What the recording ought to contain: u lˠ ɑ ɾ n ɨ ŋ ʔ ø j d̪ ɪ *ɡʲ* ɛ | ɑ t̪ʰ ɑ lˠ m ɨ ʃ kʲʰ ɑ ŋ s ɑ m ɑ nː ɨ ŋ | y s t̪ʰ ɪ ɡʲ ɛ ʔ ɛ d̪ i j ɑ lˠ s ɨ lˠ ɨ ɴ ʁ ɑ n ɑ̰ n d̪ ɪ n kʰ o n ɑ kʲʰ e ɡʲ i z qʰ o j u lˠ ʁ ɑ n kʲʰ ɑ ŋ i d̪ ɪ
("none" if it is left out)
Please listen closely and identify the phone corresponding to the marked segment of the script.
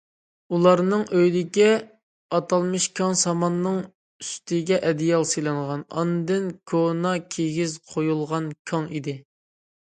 kʲ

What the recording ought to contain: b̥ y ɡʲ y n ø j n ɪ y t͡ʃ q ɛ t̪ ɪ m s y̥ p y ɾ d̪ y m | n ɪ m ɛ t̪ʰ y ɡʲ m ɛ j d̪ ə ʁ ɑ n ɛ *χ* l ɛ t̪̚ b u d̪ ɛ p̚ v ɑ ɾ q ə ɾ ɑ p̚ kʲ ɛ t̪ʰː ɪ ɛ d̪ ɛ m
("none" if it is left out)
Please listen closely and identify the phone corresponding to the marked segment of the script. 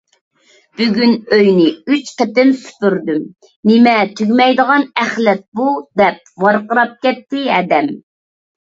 χ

